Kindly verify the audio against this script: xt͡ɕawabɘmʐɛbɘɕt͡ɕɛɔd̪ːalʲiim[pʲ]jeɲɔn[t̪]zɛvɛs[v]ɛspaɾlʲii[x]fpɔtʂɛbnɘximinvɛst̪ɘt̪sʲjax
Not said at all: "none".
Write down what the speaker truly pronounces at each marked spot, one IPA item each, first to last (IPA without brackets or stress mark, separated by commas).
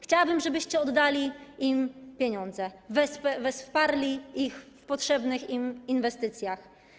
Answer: pʲ, d̪, v, x